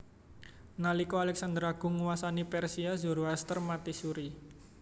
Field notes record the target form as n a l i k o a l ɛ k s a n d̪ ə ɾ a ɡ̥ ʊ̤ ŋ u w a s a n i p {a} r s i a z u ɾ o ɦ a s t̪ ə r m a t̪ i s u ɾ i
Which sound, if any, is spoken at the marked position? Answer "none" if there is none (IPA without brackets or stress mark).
ɛ